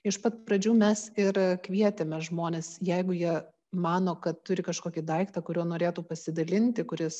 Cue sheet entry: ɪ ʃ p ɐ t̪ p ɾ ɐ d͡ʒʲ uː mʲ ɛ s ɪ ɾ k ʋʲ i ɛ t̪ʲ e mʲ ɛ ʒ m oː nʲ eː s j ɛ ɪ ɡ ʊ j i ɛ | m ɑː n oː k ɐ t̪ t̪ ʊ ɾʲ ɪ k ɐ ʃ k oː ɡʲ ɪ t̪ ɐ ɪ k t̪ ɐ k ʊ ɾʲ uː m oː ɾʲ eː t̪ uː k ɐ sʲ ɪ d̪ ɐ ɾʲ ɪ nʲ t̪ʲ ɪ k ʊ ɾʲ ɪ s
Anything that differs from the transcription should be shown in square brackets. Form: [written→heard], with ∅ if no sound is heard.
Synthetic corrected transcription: ɪ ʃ p ɐ t̪ p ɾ ɐ d͡ʒʲ uː mʲ ɛ s ɪ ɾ k ʋʲ i ɛ t̪ʲ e mʲ ɛ ʒ m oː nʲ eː s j ɛ ɪ ɡ ʊ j i ɛ | m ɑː n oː k ɐ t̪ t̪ ʊ ɾʲ ɪ k ɐ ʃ k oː [ɡʲ→kʲ] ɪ [t̪→d̪] ɐ ɪ k t̪ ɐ k ʊ ɾʲ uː [m→n] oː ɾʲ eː t̪ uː [k→p] ɐ sʲ ɪ d̪ ɐ [ɾʲ→lʲ] ɪ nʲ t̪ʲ ɪ k ʊ ɾʲ ɪ s